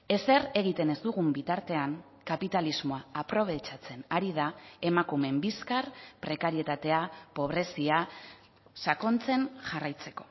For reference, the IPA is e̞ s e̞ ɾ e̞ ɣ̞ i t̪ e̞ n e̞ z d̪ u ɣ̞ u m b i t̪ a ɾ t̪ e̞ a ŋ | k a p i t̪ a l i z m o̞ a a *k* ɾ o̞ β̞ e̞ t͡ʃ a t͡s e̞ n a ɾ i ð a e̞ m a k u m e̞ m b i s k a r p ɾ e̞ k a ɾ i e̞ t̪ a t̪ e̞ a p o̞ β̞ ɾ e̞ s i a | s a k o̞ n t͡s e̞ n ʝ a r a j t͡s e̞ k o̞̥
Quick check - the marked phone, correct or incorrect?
incorrect